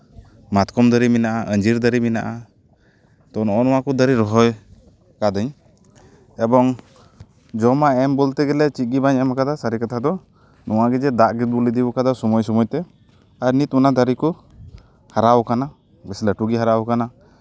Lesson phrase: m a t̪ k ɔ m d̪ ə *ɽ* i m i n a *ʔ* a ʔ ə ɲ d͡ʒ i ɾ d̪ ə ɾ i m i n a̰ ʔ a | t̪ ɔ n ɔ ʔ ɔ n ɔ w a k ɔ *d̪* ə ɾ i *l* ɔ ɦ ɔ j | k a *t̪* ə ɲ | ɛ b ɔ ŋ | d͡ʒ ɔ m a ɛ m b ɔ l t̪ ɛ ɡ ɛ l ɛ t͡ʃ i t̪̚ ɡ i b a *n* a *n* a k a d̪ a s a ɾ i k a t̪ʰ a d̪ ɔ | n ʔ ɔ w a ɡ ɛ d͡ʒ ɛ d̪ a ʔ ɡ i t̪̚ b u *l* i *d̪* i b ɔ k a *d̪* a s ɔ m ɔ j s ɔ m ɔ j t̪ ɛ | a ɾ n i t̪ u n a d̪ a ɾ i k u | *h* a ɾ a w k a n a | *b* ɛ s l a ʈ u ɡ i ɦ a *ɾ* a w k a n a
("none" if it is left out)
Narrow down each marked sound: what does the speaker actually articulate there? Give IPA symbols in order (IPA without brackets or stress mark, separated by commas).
ɾ, ʔ, d̪, ɾ, d̪, ɲ, m, l, d̪, d̪, h, b, ɾ